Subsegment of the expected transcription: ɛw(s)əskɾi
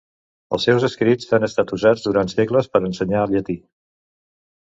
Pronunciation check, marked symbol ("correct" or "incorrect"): incorrect